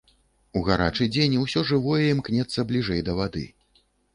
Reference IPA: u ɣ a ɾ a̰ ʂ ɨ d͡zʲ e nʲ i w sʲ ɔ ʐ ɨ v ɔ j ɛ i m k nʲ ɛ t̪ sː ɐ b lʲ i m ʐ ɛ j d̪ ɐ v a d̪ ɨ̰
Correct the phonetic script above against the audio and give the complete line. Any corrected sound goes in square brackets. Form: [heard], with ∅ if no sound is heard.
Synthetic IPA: u ɣ a ɾ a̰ [t͡ʂ] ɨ d͡zʲ e nʲ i w sʲ ɔ ʐ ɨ v ɔ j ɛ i m k nʲ ɛ t̪ sː ɐ b lʲ i [∅] ʐ ɛ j d̪ ɐ v a d̪ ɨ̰